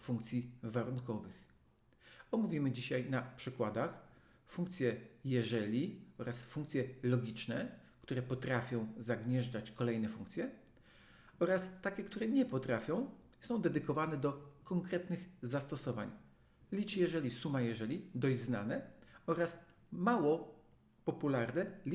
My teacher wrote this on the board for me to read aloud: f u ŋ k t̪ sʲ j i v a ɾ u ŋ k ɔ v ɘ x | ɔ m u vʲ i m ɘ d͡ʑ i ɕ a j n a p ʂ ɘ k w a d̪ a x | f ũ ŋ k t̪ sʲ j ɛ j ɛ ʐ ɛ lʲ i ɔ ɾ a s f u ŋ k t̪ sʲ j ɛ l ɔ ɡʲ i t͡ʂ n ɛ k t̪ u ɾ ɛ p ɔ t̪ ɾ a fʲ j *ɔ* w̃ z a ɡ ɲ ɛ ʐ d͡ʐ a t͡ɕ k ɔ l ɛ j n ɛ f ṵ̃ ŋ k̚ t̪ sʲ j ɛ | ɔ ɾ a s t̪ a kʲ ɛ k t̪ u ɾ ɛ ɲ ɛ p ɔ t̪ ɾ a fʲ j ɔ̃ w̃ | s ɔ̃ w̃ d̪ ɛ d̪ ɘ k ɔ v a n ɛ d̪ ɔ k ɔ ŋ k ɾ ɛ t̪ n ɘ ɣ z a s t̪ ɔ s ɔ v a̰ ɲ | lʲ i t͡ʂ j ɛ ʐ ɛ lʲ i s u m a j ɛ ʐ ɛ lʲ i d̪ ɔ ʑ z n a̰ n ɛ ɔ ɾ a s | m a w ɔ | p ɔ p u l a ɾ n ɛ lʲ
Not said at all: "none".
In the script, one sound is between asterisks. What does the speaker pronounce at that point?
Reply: ɔ̃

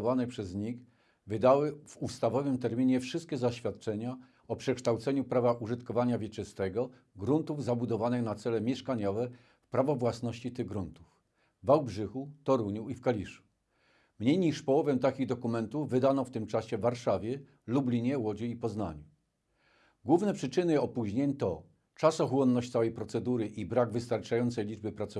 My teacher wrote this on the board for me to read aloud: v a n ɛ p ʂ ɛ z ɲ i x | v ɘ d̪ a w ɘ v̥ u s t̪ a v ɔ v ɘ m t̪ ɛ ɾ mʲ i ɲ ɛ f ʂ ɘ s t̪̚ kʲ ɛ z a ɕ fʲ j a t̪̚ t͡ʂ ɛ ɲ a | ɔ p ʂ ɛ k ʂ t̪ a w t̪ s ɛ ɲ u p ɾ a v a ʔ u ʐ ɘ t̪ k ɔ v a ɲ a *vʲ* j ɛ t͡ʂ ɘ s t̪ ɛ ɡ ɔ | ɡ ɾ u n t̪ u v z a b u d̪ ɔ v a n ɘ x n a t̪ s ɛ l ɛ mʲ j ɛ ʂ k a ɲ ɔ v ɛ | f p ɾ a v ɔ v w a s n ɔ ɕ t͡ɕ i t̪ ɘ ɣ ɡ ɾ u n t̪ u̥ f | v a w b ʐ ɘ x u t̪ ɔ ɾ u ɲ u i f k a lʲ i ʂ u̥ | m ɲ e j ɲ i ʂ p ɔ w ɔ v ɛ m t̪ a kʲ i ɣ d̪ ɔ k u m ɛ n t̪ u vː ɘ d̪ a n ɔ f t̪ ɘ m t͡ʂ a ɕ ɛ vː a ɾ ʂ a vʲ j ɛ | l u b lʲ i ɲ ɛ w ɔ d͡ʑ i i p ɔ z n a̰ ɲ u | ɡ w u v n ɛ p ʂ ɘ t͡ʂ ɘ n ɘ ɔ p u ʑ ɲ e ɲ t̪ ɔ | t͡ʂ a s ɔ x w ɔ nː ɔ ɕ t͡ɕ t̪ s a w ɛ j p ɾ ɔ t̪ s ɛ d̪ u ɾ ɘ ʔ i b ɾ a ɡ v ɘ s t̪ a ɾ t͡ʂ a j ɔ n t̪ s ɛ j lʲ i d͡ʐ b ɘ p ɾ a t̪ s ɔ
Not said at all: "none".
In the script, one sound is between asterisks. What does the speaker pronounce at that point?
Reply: vʲ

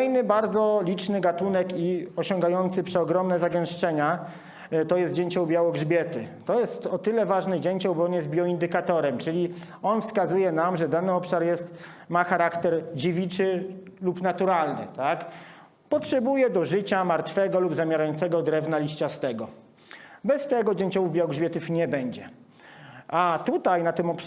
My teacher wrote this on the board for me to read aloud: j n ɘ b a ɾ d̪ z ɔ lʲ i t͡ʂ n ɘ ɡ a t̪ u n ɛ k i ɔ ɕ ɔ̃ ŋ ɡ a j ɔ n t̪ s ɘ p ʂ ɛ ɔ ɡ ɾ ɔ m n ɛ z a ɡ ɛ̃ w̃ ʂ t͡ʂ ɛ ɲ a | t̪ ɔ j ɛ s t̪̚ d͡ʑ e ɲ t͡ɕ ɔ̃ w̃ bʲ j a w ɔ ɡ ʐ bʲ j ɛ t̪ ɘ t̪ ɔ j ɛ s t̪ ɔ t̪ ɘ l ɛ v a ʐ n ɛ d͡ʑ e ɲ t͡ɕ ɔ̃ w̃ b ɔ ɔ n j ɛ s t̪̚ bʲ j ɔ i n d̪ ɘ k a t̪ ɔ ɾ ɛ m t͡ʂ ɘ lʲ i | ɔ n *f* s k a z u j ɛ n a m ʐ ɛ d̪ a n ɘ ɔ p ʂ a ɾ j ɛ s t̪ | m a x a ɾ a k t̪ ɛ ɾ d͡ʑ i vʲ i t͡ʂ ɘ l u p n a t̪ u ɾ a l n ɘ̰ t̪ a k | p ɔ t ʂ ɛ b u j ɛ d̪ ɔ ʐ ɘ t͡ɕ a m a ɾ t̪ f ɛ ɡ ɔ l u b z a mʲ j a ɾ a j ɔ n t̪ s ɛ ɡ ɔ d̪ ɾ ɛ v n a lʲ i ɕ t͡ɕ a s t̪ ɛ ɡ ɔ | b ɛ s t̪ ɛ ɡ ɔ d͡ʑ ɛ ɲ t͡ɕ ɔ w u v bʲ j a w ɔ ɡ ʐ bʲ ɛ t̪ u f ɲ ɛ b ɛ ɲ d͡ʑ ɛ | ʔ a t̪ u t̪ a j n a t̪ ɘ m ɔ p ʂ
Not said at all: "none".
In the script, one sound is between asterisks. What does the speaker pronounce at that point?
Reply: f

